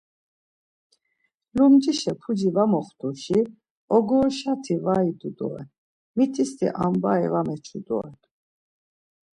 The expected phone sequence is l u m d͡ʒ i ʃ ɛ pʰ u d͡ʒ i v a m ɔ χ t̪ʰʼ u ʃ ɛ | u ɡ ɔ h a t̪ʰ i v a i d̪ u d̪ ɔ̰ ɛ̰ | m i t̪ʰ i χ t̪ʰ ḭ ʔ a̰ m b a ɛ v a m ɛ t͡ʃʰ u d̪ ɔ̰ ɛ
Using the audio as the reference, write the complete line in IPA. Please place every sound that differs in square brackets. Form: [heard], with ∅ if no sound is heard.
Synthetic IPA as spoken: l u m d͡ʒ i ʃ ɛ pʰ u d͡ʒ i v a m ɔ χ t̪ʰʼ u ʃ [i] | [ɔ] ɡ ɔ [ʃ] a t̪ʰ i v a i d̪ u d̪ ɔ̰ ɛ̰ | m i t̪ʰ i [s] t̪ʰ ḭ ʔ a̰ m b a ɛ v a m ɛ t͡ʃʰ u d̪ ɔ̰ ɛ